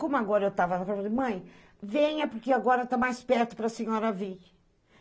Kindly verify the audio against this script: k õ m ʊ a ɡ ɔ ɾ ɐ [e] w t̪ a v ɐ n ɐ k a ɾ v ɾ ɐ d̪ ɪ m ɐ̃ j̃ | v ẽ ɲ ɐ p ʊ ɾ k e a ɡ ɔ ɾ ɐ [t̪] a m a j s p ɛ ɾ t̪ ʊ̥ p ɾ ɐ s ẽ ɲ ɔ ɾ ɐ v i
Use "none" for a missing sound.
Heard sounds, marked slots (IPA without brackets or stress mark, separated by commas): e, t̪